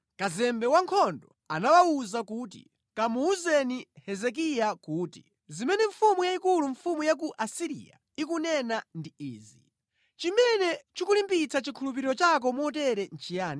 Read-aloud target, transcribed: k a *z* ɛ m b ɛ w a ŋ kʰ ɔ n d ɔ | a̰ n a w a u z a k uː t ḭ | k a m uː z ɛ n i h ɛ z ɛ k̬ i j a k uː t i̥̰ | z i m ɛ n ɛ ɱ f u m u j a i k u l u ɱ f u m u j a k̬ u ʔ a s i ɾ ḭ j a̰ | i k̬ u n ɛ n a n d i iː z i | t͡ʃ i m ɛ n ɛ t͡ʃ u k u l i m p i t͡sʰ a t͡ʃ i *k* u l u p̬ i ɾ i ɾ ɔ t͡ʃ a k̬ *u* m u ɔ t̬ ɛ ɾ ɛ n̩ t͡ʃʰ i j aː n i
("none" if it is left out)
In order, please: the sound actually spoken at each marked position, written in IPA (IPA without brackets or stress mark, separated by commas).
z, kʰ, ɔ